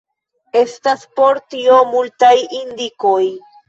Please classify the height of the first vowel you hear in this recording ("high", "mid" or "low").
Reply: mid